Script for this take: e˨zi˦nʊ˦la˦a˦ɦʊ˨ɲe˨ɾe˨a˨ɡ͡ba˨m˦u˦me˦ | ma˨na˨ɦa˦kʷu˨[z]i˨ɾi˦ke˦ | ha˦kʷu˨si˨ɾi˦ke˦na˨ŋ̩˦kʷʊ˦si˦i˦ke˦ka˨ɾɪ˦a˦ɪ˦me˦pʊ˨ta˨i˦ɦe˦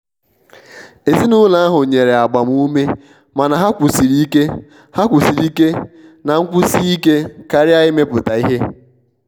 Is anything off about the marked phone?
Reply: yes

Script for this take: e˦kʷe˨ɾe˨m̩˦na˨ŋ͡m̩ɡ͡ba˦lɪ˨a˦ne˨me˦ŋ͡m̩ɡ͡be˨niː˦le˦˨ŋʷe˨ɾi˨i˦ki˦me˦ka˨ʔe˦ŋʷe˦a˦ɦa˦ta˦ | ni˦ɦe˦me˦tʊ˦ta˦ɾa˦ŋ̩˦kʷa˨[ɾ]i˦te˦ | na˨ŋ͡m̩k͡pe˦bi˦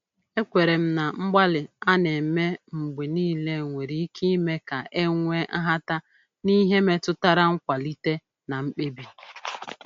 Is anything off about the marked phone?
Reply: yes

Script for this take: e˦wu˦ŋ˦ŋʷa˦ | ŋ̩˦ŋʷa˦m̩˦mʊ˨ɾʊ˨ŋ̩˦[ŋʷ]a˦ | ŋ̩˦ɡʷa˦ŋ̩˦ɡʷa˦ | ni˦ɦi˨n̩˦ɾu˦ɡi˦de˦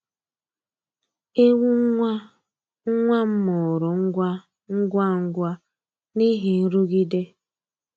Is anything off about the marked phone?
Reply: yes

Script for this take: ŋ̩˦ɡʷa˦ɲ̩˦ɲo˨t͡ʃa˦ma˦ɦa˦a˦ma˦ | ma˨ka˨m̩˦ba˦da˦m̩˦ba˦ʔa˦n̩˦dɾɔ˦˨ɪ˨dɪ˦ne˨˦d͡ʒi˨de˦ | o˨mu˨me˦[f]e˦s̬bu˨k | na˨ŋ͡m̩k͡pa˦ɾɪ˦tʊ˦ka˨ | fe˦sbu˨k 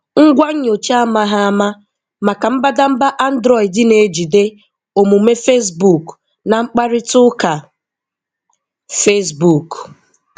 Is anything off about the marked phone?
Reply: no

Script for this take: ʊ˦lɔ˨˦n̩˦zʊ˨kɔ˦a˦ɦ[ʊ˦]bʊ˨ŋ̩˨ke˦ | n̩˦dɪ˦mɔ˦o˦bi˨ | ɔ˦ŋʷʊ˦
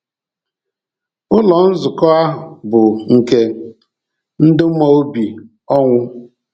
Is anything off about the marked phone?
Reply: yes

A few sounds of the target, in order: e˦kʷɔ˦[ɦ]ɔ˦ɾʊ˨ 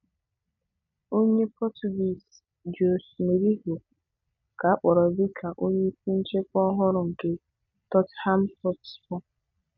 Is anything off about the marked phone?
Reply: no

